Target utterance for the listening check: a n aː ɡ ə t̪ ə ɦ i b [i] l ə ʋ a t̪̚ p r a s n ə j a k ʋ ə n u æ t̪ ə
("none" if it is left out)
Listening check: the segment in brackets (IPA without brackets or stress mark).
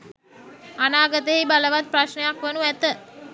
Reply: a